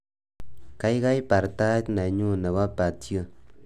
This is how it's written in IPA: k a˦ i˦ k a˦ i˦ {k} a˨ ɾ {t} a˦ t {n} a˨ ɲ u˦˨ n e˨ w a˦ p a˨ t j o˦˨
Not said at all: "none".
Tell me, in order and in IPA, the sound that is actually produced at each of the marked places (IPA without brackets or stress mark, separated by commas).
p, t, n